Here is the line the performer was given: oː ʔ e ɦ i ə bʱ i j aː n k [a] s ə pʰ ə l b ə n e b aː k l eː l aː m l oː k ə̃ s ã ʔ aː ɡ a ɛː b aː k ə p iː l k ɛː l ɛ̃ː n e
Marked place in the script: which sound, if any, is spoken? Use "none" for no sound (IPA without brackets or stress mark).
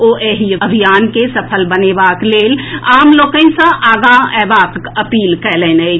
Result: e